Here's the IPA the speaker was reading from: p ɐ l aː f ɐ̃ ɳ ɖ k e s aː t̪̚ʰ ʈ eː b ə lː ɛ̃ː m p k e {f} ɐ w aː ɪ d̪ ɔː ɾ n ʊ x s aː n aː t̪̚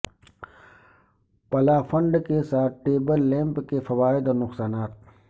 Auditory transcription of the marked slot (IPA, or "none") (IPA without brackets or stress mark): f